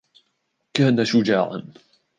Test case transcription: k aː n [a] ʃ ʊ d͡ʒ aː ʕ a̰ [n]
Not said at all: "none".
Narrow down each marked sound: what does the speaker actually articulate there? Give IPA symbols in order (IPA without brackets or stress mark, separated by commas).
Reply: a, n